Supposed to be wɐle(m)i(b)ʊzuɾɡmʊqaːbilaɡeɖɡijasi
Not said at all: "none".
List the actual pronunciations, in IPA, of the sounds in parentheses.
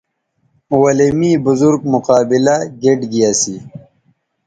m, b

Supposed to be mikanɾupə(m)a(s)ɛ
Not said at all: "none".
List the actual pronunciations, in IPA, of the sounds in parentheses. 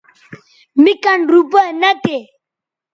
n, t

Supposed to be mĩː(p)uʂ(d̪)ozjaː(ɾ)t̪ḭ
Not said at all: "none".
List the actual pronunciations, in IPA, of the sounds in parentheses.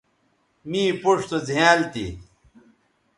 p, t̪, l

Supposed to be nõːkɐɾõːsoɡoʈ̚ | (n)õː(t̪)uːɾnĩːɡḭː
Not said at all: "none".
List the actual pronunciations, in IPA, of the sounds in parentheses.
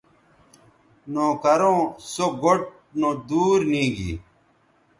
n, d̪

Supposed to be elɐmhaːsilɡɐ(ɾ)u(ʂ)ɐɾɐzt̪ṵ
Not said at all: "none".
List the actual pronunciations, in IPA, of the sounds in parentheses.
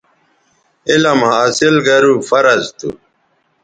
ɾ, f

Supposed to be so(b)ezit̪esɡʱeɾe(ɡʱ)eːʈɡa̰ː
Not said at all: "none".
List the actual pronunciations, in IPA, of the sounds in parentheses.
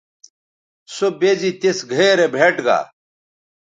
b, bʱ

